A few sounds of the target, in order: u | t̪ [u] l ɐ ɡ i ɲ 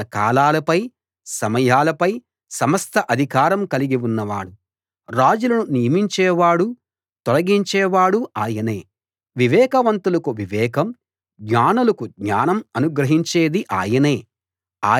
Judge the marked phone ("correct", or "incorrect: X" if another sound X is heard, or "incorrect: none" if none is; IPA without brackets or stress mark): incorrect: ɔ